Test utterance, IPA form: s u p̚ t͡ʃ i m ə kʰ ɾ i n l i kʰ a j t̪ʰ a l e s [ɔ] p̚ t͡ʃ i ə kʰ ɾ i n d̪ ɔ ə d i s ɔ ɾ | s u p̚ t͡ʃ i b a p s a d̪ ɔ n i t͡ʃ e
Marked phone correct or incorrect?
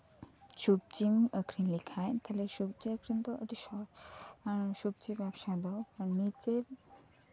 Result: incorrect: u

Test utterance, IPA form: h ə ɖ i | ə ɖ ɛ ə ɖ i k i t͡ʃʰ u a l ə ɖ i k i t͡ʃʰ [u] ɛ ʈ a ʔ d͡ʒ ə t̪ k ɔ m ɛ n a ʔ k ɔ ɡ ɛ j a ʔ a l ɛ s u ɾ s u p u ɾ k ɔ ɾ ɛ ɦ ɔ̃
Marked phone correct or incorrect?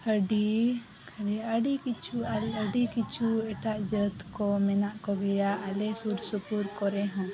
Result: correct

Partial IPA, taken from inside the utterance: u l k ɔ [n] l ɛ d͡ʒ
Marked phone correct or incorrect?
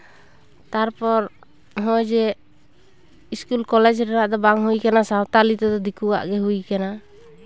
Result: incorrect: none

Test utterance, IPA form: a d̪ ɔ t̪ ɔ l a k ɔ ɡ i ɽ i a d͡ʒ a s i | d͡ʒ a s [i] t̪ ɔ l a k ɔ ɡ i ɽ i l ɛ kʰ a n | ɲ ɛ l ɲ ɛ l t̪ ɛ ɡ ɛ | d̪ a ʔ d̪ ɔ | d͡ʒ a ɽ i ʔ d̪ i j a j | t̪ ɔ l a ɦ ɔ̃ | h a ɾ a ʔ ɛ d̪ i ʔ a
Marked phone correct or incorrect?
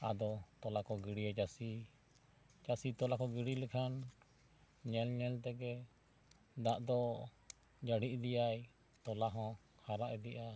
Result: correct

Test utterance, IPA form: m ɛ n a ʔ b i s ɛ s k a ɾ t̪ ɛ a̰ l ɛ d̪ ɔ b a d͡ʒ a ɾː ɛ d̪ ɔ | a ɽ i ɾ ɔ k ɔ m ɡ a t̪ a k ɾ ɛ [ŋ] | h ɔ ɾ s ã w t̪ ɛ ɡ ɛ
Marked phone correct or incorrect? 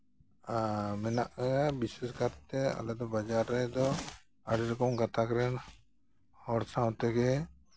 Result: incorrect: n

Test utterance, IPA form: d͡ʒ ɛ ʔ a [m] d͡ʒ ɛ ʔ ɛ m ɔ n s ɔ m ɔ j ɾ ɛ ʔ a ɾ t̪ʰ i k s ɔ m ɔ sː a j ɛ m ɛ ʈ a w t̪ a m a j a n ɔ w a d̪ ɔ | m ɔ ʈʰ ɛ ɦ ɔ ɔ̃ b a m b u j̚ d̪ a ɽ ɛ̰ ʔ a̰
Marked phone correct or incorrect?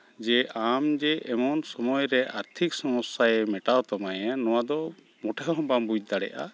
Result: correct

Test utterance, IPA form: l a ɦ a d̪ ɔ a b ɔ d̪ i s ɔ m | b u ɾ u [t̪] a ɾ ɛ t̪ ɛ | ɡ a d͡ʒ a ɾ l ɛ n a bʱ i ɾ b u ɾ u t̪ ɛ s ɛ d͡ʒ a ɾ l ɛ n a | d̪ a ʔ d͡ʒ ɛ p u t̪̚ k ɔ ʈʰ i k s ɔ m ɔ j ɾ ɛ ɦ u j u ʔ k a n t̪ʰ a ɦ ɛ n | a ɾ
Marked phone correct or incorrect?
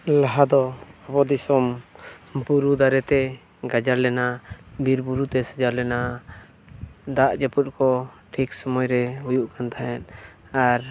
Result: incorrect: d̪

